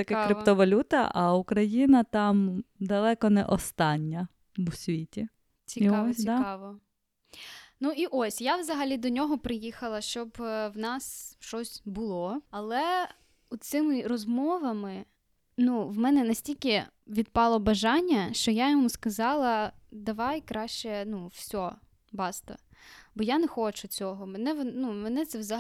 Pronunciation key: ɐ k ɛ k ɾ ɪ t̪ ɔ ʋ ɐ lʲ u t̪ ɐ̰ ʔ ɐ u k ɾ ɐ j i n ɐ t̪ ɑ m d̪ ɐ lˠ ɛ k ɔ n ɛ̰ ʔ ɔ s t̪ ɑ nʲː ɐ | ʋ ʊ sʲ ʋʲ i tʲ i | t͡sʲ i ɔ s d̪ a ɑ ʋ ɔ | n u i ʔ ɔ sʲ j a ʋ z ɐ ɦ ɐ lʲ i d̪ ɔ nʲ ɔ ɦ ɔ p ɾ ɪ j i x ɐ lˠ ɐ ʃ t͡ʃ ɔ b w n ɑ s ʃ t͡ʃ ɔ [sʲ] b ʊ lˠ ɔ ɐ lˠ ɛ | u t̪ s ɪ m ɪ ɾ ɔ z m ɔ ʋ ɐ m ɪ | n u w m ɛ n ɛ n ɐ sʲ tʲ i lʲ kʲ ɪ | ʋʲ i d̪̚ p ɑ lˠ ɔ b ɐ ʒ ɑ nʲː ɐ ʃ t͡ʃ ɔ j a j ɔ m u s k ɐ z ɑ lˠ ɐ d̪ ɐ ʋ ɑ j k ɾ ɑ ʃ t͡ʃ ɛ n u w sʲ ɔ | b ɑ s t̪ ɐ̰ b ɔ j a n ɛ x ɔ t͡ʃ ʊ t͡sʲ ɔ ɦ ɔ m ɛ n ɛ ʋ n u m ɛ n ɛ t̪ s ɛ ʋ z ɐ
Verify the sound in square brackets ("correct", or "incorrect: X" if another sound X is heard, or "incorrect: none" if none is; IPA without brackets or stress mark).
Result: correct